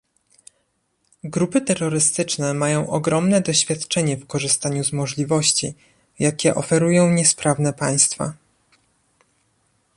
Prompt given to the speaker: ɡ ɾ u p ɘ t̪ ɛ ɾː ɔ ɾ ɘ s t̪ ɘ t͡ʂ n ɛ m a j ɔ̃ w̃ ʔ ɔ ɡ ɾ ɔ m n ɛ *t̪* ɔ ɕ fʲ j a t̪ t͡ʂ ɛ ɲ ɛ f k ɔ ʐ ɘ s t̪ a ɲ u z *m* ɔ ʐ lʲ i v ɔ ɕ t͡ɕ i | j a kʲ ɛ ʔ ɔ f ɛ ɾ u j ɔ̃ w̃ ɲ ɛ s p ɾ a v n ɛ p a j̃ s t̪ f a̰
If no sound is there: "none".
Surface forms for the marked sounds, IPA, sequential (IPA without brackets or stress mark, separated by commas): d̪, m